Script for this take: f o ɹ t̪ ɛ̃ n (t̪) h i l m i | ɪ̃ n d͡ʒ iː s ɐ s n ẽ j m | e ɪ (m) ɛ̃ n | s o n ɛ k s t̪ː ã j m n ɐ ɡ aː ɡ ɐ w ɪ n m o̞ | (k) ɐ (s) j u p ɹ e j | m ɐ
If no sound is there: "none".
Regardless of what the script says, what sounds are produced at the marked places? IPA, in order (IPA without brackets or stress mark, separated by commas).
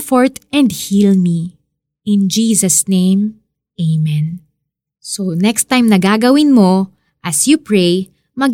d̪, m, ʔ, s